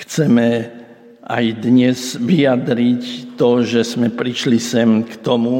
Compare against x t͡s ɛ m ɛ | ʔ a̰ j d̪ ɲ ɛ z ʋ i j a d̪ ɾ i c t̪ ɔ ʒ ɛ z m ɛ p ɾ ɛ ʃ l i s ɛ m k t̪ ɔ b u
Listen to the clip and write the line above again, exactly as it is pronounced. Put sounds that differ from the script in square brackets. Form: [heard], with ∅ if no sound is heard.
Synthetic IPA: x t͡s ɛ m ɛ | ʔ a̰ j d̪ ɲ ɛ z ʋ i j a d̪ ɾ i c t̪ ɔ ʒ ɛ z m ɛ p ɾ [i] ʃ l i s ɛ m k t̪ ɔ [m] u